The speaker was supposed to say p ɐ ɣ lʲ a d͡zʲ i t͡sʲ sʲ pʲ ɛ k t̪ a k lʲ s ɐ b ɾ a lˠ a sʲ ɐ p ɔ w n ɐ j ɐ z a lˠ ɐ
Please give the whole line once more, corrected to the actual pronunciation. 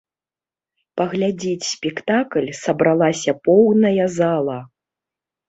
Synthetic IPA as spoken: p ɐ ɣ lʲ a d͡zʲ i t͡sʲ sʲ pʲ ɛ k t̪ a k lʲ s ɐ b ɾ a lˠ a sʲ ɐ p ɔ w n ɐ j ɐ z a lˠ ɐ